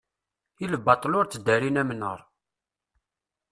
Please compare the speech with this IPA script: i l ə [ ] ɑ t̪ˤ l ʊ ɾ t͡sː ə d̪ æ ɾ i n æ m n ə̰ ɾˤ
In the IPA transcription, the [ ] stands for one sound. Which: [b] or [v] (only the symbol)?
b